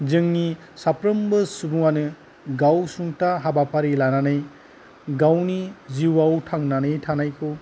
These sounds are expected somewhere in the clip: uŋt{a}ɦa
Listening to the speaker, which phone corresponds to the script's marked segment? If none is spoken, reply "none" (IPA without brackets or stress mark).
a